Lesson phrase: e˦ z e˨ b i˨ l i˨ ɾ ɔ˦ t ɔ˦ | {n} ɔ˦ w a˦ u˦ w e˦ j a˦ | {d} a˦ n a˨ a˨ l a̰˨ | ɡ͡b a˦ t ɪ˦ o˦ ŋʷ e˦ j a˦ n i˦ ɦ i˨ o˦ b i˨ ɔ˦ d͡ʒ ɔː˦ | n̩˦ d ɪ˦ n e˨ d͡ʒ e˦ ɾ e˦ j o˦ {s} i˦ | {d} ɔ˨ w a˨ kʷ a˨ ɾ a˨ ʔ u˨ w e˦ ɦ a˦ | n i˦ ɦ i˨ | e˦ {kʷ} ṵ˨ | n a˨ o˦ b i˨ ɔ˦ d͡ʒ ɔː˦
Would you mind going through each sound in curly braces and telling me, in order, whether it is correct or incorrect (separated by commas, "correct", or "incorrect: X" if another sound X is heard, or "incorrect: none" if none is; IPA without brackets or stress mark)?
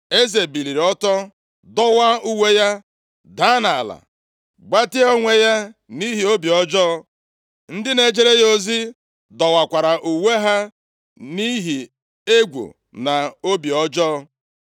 incorrect: d, correct, incorrect: z, correct, incorrect: ɡʷ